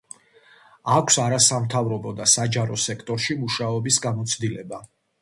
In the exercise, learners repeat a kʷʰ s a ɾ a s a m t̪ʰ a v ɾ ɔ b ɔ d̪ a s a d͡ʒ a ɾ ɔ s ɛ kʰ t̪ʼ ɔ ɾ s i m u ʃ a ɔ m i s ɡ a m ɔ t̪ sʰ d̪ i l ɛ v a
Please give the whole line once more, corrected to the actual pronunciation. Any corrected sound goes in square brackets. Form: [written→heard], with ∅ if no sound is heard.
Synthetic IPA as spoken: a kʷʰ s a ɾ a s a m t̪ʰ a v ɾ ɔ b ɔ d̪ a s a d͡ʒ a ɾ ɔ s ɛ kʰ t̪ʼ ɔ ɾ [s→ʃ] i m u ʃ a ɔ [m→b] i s ɡ a m ɔ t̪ sʰ d̪ i l ɛ [v→b] a